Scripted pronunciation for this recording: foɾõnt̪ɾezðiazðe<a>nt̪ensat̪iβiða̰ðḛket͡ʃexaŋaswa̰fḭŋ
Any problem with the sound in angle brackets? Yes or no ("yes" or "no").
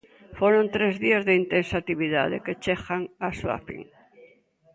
yes